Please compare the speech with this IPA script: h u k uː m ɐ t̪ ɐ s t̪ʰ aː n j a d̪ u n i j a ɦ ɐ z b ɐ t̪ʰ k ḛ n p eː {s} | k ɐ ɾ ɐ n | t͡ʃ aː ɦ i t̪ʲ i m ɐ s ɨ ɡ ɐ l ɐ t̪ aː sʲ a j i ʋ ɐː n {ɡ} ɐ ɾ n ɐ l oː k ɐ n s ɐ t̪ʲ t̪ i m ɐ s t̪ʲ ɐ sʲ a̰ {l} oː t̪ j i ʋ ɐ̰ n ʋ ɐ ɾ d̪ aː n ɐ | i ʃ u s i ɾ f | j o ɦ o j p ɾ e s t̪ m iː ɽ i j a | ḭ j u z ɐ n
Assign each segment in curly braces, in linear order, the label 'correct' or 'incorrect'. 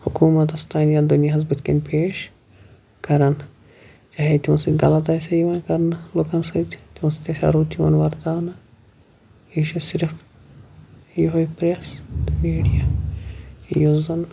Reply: incorrect: ʃ, incorrect: k, incorrect: ɾ

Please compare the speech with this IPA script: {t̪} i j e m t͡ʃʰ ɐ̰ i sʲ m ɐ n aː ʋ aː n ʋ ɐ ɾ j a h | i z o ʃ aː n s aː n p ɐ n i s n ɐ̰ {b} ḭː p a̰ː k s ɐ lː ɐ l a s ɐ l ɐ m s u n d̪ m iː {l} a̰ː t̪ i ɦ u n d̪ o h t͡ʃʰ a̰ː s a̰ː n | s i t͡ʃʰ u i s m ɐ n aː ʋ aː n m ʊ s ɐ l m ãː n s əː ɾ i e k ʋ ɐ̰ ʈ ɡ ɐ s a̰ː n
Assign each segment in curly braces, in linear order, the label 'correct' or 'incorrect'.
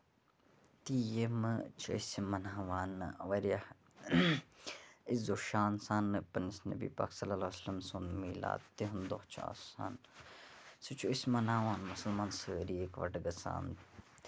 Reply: correct, correct, correct

